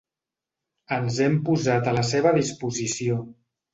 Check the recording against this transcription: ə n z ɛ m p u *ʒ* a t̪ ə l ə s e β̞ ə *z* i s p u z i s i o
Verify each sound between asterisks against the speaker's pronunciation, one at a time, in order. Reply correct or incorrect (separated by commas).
incorrect, incorrect